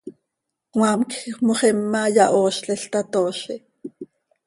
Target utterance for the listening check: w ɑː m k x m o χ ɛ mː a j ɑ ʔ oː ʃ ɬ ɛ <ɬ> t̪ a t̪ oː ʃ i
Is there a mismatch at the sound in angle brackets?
no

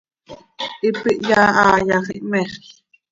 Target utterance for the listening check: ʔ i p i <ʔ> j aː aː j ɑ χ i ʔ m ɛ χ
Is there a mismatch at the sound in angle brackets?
no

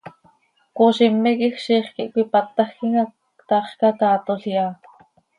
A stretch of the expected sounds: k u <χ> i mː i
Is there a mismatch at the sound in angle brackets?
yes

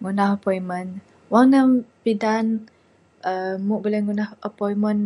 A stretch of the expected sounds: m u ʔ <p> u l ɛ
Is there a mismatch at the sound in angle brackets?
yes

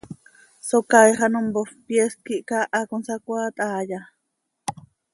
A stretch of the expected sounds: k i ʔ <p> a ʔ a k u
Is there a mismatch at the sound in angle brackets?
yes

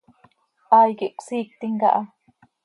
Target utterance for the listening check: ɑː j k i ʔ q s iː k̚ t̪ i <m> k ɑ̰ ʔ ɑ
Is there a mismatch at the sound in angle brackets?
yes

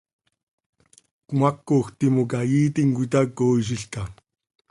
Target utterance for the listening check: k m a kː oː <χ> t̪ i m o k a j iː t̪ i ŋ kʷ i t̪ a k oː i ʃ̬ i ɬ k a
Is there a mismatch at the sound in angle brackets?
yes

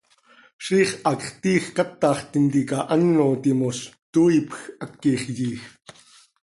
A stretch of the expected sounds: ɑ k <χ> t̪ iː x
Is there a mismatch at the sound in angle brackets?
no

